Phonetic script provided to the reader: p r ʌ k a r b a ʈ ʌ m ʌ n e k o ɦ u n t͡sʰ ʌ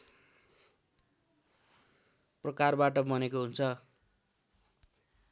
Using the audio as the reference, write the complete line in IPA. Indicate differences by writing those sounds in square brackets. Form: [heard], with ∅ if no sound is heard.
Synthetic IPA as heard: p r ʌ k a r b a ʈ ʌ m ʌ n e k o ɦ u n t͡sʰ ʌ